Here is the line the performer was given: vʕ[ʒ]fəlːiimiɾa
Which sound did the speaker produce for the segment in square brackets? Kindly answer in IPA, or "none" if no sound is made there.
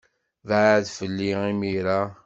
ð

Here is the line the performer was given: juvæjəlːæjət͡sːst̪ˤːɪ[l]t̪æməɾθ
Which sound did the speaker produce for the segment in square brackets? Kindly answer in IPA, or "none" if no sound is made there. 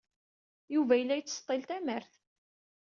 l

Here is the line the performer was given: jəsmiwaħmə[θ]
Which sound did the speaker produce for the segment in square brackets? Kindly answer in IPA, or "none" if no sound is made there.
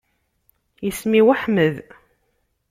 ð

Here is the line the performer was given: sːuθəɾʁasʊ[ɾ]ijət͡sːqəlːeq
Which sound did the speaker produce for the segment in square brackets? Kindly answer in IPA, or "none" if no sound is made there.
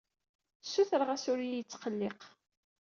ɾ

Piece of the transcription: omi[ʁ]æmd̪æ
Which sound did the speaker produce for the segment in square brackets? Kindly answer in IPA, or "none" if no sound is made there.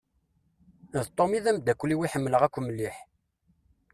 ð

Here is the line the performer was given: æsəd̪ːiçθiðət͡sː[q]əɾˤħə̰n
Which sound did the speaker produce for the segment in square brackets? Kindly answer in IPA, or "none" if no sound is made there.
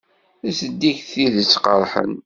q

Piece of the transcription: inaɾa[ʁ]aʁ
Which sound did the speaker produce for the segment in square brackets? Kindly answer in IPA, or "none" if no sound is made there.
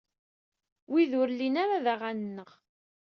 ð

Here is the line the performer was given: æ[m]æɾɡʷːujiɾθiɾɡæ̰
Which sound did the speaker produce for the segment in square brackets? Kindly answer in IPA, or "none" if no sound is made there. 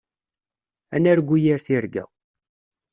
n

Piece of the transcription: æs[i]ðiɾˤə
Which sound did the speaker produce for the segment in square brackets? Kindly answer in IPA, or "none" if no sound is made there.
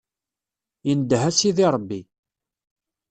i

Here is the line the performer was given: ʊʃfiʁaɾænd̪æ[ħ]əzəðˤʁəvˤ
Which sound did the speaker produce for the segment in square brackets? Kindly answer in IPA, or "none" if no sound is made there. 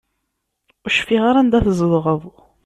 θ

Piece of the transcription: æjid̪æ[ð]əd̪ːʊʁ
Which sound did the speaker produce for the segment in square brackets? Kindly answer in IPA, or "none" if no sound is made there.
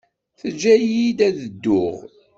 ð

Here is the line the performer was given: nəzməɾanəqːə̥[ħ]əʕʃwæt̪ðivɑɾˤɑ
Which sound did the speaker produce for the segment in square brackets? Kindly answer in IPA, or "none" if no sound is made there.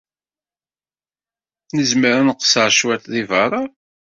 s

